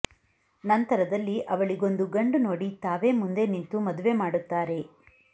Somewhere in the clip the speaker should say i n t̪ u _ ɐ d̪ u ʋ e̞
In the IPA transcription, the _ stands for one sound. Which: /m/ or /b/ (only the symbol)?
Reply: m